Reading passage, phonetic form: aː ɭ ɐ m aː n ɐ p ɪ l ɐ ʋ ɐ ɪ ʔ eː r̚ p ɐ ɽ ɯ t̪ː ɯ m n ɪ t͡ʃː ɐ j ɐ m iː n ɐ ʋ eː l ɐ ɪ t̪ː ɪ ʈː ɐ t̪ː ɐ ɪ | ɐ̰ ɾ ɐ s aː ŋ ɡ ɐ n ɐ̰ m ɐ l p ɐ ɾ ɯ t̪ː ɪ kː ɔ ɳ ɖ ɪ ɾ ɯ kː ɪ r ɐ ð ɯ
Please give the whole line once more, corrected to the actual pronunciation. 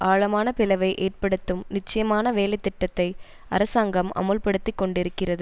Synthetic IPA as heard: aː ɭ ɐ m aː n ɐ p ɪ l ɐ ʋ ɐ ɪ ʔ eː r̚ p ɐ ɽ ɯ t̪ː ɯ m n ɪ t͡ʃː ɐ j ɐ m aː n ɐ ʋ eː l ɐ ɪ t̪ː ɪ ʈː ɐ t̪ː ɐ ɪ | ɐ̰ ɾ ɐ s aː ŋ ɡ ɐ m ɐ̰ m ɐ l p ɐ ɽ ɯ t̪ː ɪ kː ɔ ɳ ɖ ɪ ɾ ɯ kː ɪ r ɐ ð ɯ